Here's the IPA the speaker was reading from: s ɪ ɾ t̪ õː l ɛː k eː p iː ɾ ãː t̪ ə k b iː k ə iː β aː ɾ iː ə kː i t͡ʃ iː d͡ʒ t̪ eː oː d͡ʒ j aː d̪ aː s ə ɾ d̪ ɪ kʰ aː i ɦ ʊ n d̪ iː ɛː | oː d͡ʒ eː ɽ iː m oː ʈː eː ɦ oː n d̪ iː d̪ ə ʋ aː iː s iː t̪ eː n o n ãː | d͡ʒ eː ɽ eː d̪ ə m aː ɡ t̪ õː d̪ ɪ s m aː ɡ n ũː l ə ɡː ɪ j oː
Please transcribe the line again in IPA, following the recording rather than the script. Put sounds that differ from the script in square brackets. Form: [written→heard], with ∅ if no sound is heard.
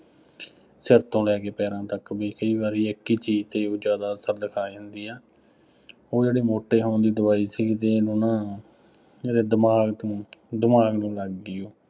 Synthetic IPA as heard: s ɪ ɾ t̪ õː l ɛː k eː p [iː→ɛː] ɾ ãː t̪ ə k b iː k ə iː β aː ɾ iː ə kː [i→iː] t͡ʃ iː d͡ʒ t̪ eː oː d͡ʒ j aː d̪ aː s ə ɾ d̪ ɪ kʰ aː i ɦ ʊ n d̪ iː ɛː | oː d͡ʒ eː ɽ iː m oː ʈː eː ɦ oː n d̪ iː d̪ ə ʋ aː iː s iː t̪ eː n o n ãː | d͡ʒ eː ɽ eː d̪ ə m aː ɡ t̪ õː d̪ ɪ [s→∅] m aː ɡ n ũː l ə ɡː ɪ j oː